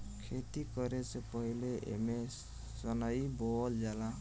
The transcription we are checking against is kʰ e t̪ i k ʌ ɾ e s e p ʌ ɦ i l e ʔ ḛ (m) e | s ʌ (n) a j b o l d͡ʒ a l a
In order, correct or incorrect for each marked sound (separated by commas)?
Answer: correct, correct